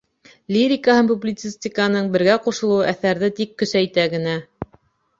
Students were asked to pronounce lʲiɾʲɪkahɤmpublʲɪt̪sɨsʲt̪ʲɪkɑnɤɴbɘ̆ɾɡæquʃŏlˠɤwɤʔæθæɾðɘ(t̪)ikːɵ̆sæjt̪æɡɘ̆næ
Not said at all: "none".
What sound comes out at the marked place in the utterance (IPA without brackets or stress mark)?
t̪